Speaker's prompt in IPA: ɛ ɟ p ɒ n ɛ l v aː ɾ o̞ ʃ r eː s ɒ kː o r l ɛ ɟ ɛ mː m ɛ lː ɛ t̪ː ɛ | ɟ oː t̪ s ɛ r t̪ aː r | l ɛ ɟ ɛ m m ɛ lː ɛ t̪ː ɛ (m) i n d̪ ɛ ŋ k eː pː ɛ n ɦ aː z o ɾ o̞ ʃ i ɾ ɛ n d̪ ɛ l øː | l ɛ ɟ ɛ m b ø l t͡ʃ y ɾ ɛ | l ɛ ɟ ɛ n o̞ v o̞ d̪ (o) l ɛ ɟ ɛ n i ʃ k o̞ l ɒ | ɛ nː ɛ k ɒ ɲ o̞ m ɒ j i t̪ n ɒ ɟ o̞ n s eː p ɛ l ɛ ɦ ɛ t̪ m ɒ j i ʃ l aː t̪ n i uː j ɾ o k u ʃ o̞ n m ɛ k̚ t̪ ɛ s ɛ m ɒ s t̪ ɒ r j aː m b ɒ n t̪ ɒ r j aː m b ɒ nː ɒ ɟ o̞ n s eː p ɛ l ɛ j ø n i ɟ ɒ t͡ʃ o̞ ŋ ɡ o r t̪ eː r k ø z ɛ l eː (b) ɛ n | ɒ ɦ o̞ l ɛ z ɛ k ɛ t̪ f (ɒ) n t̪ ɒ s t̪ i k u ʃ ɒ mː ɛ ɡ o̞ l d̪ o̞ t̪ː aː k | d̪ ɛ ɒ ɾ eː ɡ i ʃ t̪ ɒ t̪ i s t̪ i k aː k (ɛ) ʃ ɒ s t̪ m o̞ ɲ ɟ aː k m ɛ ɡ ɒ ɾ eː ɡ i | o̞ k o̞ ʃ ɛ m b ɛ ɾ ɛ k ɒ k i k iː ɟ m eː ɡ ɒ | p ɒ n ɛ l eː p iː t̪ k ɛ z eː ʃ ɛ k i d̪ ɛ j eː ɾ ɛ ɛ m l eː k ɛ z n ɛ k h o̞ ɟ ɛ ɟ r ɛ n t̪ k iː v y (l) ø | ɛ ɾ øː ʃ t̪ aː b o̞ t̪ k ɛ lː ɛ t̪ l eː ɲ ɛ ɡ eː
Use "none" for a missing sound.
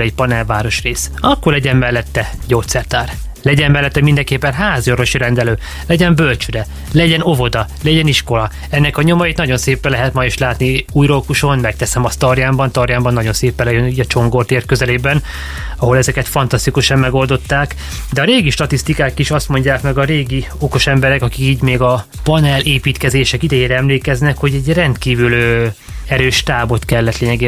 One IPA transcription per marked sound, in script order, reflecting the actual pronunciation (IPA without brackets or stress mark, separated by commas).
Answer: m, ɒ, b, ɒ, i, l